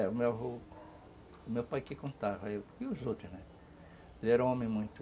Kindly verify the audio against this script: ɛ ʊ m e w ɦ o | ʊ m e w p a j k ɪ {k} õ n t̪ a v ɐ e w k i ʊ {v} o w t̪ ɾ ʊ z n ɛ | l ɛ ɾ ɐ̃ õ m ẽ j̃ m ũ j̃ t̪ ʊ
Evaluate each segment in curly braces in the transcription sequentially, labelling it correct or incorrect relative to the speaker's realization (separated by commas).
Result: correct, incorrect